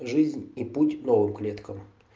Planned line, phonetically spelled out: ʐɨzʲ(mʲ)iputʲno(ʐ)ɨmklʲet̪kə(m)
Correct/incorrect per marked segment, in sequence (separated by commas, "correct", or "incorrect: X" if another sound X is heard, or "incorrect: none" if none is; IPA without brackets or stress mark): incorrect: nʲ, incorrect: v, correct